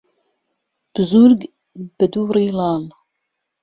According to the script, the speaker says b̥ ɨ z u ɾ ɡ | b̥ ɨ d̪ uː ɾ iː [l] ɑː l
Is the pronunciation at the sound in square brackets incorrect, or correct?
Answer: correct